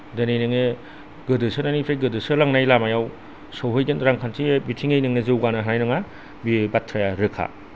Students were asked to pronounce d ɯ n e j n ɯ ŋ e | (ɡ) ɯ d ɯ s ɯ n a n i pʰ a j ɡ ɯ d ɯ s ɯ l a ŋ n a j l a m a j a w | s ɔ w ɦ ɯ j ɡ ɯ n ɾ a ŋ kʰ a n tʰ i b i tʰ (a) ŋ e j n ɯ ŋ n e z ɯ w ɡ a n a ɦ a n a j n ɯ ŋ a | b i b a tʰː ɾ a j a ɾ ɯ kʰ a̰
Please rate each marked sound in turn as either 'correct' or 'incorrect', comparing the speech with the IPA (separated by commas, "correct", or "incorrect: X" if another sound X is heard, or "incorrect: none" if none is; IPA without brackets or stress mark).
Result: correct, incorrect: i